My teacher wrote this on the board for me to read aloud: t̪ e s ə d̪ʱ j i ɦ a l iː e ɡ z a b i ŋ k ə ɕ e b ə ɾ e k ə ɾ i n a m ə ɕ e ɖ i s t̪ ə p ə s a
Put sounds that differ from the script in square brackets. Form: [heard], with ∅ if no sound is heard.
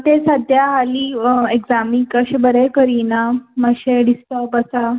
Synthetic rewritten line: t̪ e s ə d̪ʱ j [a] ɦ a l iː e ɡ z a [m] i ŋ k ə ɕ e b ə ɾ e k ə ɾ i n a m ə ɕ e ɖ i s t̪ ə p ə s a